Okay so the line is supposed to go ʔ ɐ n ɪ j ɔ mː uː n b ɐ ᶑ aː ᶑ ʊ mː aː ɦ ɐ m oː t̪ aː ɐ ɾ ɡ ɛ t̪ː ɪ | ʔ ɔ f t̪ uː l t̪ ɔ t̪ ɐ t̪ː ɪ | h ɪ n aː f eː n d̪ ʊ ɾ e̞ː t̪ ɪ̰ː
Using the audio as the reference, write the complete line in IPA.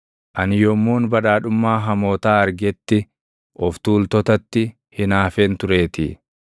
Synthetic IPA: ʔ ɐ n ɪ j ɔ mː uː n b ɐ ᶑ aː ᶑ ʊ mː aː ɦ ɐ m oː t̪ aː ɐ ɾ ɡ ɛ t̪ː ɪ | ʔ ɔ f t̪ uː l t̪ ɔ t̪ ɐ t̪ː ɪ | h ɪ n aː f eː n t̪ ʊ ɾ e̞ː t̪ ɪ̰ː

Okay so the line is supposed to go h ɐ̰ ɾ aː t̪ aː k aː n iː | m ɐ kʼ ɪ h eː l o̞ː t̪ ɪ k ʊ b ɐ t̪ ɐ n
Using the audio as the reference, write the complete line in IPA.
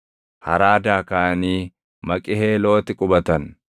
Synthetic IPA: h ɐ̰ ɾ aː d̪ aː k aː n iː | m ɐ kʼ ɪ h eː l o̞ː t̪ ɪ kʼ ʊ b ɐ t̪ ɐ n

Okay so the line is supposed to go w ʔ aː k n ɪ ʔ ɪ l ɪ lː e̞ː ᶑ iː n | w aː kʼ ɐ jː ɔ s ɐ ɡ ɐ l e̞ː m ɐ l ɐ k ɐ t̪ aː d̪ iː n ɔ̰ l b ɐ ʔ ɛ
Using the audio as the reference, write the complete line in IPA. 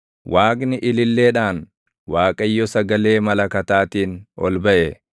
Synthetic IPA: w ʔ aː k n ɪ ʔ ɪ l ɪ lː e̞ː ᶑ aː n | w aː kʼ ɐ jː ɔ s ɐ ɡ ɐ l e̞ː m ɐ l ɐ k ɐ t̪ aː t̪ iː n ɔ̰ l b ɐ ʔ ɛ

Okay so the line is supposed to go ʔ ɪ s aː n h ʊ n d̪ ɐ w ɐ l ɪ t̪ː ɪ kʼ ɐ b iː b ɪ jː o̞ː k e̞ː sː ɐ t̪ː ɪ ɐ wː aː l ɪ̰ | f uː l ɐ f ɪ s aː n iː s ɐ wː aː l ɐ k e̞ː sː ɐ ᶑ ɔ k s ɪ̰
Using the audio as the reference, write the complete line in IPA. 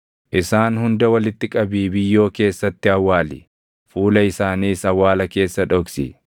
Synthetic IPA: ʔ ɪ s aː n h ʊ n d̪ ɐ w ɐ l ɪ t̪ː ɪ kʼ ɐ b iː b ɪ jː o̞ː k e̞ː sː ɐ t̪ː ɪ ɐ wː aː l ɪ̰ | f uː l ɐ ɪ s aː n iː s ɐ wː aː l ɐ k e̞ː sː ɐ ᶑ ɔ k s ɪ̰

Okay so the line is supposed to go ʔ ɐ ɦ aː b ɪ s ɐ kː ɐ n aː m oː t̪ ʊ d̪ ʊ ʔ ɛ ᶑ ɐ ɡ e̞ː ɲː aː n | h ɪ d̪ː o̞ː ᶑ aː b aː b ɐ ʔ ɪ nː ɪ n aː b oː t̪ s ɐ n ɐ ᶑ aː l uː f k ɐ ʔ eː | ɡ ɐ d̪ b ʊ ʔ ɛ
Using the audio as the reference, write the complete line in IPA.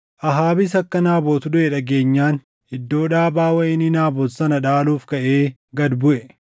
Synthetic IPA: ʔ ɐ ɦ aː b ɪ s ɐ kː ɐ n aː b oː t̪ ʊ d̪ ʊ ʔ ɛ ᶑ ɐ ɡ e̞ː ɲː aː n | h ɪ d̪ː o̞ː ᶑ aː b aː w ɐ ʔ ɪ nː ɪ n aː b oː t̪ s ɐ n ɐ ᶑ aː l uː f k ɐ ʔ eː | ɡ ɐ d̪ b ʊ ʔ ɛ

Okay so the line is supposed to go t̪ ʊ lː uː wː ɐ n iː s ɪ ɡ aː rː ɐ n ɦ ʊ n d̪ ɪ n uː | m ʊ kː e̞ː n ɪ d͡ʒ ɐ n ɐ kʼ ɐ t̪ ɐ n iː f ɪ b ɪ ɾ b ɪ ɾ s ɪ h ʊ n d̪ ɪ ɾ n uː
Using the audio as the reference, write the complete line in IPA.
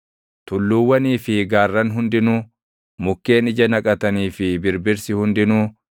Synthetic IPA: t̪ ʊ lː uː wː ɐ n iː f ɪ ɡ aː rː ɐ n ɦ ʊ n d̪ ɪ n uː | m ʊ kː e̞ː n ɪ d͡ʒ ɐ n ɐ kʼ ɐ t̪ ɐ n iː f ɪ b ɪ ɾ b ɪ ɾ s ɪ h ʊ n d̪ ɪ n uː

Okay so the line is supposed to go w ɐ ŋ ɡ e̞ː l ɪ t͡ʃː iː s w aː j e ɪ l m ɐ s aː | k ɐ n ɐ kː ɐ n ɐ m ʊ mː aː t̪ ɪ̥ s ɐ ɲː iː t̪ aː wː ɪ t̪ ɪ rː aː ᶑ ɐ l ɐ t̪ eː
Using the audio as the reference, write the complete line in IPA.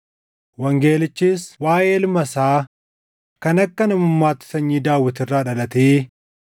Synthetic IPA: w ɐ ŋ ɡ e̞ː l ɪ t͡ʃː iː s w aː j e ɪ l m ɐ s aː | k ɐ n ɐ kː ɐ n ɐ m ʊ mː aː t̪ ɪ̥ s ɐ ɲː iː d̪ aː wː ɪ t̪ ɪ rː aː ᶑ ɐ l ɐ t̪ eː

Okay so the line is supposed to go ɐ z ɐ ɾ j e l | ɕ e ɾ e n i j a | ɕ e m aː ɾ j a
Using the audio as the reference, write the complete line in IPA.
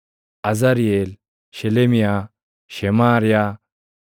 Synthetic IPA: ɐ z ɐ ɾ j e l | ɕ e l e m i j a | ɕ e m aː ɾ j a

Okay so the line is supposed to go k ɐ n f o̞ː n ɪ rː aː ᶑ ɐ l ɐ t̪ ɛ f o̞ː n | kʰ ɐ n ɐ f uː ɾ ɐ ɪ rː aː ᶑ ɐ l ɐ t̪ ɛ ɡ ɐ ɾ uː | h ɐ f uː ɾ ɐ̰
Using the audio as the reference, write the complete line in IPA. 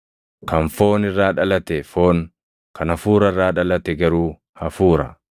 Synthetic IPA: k ɐ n f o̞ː n ɪ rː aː ᶑ ɐ l ɐ t̪ ɛ f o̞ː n | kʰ ɐ n ɐ f uː ɾ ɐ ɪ rː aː ᶑ ɐ l ɐ t̪ ɛ ɡ ɐ ɾ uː | h ɐ f uː ɾ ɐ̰

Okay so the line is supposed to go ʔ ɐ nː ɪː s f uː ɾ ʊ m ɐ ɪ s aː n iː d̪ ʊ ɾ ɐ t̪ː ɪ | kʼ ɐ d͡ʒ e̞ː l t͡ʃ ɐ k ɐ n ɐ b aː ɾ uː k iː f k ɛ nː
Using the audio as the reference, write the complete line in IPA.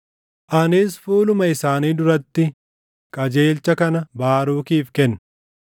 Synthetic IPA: ʔ ɐ n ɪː s f uː l ʊ m ɐ ɪ s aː n iː d̪ ʊ ɾ ɐ t̪ː ɪ | kʼ ɐ d͡ʒ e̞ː l t͡ʃ ɐ k ɐ n ɐ b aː ɾ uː k iː f k ɛ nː

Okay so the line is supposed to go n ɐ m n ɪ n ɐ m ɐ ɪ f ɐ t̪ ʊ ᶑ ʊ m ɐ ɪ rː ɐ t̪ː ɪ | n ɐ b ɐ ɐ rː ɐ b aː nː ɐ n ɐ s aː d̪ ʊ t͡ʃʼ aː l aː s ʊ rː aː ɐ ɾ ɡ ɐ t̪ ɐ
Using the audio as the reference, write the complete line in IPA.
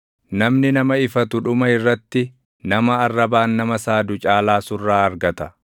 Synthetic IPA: n ɐ m n ɪ n ɐ m ɐ ɪ f ɐ t̪ ʊ ᶑ ʊ m ɐ ɪ rː ɐ t̪ː ɪ | n ɐ m ɐ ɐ rː ɐ b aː nː ɐ m ɐ s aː d̪ ʊ t͡ʃʼ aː l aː s ʊ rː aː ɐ ɾ ɡ ɐ t̪ ɐ

